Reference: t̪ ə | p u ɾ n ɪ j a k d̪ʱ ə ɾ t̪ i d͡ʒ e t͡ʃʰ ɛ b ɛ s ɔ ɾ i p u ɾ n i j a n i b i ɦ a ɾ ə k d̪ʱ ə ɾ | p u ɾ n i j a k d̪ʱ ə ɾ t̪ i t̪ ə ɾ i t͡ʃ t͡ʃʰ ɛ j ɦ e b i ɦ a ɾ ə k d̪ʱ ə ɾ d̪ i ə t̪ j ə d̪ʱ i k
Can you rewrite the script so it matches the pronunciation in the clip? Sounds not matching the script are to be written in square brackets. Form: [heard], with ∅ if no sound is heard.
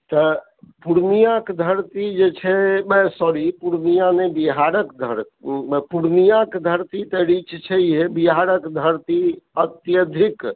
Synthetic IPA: t̪ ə | p u ɾ n [i] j a k d̪ʱ ə ɾ t̪ i d͡ʒ e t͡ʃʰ ɛ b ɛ s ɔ ɾ i p u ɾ n i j a n [e] b i ɦ a ɾ ə k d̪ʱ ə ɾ | p u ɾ n i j a k d̪ʱ ə ɾ t̪ i t̪ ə ɾ i t͡ʃ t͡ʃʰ ɛ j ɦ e b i ɦ a ɾ ə k d̪ʱ ə ɾ [t̪] i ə t̪ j ə d̪ʱ i k